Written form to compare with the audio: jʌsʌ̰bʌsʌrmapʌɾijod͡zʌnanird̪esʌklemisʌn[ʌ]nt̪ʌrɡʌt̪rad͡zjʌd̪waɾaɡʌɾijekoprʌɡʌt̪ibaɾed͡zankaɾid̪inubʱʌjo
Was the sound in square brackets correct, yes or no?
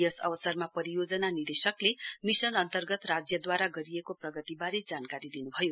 yes